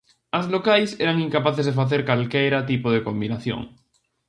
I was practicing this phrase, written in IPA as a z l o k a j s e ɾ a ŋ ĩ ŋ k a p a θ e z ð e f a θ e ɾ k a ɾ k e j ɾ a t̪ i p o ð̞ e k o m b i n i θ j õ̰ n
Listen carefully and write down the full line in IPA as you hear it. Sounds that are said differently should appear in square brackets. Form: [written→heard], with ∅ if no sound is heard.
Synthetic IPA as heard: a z l o k a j s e ɾ a ŋ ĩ ŋ k a p a θ e z ð e f a θ e ɾ k a [ɾ→l] k e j ɾ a t̪ i p o ð̞ e k o m b i n [i→a] θ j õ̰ [n→ŋ]